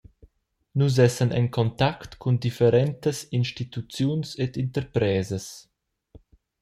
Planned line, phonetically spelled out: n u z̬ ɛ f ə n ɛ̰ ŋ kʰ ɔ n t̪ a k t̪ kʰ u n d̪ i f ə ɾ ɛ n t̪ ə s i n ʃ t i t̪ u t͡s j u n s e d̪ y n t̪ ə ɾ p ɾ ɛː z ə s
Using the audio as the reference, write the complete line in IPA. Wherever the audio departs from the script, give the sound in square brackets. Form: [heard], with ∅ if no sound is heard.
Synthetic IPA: n u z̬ ɛ [s] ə n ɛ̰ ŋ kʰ ɔ n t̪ a k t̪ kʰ u n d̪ i f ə ɾ ɛ n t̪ ə s i n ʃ t i t̪ u t͡s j u n s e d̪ [i] n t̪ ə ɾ p ɾ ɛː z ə s